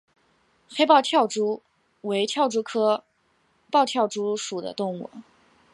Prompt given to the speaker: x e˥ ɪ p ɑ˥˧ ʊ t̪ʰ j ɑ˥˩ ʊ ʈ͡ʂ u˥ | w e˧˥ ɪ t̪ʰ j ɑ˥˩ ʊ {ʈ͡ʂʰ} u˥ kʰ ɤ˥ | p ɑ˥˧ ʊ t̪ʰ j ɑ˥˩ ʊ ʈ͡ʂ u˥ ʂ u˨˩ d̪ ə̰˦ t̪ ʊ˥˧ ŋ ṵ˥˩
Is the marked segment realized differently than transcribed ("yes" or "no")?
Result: yes